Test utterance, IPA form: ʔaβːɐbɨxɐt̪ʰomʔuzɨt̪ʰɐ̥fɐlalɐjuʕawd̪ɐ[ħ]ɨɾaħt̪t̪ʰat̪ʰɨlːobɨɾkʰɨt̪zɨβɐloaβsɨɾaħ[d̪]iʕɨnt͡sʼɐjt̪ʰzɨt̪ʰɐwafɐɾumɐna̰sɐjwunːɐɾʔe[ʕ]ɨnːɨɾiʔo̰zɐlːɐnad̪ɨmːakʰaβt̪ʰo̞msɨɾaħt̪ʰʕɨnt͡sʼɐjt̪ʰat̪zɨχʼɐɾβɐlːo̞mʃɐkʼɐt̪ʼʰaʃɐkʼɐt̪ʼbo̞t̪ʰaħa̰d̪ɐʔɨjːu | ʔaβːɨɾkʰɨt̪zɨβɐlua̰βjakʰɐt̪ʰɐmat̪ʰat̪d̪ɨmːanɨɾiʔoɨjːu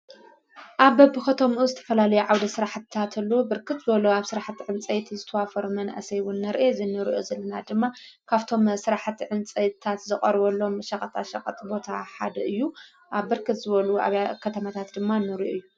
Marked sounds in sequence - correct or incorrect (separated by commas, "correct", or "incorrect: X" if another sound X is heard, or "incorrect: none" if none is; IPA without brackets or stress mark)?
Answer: incorrect: s, incorrect: t̪, incorrect: z